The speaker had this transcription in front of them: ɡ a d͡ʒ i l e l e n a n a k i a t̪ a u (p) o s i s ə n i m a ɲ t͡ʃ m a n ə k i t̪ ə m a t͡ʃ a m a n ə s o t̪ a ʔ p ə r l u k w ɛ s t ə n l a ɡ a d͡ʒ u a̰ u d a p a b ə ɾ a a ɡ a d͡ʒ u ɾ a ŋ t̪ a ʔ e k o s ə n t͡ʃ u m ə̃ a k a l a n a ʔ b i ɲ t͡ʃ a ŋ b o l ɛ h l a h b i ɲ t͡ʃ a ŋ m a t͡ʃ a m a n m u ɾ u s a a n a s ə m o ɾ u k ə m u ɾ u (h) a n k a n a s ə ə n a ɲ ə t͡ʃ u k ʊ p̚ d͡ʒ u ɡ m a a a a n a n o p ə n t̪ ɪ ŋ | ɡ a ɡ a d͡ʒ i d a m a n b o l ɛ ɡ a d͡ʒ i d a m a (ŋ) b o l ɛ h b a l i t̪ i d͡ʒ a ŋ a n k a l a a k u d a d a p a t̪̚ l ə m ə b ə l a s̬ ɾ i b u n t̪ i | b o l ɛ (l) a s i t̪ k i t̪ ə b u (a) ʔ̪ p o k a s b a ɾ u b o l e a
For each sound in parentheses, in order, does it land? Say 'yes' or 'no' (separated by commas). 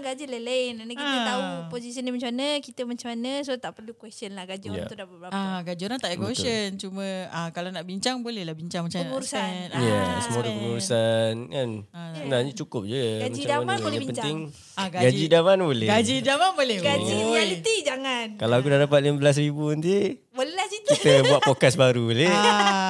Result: yes, no, no, yes, yes